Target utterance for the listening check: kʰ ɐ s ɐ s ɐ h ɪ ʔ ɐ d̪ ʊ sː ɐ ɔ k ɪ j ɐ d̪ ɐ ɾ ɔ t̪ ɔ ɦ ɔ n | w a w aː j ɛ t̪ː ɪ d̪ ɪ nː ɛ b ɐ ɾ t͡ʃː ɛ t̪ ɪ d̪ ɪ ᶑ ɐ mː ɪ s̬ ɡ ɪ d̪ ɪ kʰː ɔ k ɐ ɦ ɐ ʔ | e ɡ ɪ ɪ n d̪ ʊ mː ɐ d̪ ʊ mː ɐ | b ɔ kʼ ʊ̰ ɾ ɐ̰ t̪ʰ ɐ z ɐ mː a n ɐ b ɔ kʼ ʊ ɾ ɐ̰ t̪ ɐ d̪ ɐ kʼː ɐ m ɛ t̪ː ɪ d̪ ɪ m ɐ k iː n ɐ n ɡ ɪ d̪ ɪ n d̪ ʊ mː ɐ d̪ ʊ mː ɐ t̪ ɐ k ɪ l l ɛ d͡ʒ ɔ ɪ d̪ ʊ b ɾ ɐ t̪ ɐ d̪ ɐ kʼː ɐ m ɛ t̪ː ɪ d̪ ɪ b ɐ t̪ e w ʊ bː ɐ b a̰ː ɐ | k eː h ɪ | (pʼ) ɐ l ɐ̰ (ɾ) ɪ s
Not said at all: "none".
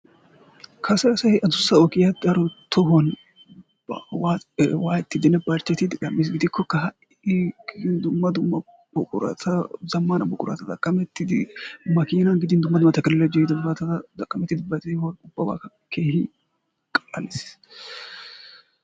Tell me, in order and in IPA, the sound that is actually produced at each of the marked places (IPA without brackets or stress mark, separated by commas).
kʼ, l